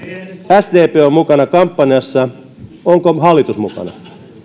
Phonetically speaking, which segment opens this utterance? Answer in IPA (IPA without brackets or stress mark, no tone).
æ